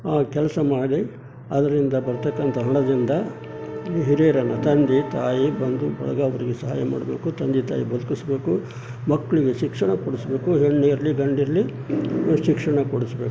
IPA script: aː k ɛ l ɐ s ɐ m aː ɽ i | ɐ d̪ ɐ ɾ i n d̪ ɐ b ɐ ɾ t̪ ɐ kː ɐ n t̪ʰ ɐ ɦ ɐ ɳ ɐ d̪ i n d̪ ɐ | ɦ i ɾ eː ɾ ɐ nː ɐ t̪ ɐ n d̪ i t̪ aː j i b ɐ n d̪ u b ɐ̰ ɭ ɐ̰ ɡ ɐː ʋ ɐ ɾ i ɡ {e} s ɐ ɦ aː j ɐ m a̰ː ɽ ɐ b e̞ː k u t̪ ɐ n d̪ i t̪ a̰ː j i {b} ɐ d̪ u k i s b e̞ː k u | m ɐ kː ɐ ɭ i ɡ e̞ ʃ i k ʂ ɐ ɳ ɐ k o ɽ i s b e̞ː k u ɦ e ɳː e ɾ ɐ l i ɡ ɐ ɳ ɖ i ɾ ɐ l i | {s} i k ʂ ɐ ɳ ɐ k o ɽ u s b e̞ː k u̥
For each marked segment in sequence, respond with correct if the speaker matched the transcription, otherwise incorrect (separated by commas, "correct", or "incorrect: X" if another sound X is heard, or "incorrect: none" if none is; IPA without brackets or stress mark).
correct, correct, incorrect: ʃ